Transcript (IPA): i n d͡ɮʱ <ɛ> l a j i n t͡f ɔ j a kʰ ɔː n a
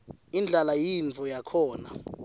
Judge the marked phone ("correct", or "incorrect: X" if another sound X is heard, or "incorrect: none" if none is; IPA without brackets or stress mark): incorrect: a